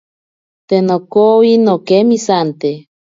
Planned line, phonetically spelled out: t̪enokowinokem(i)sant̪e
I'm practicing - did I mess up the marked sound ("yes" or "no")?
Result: no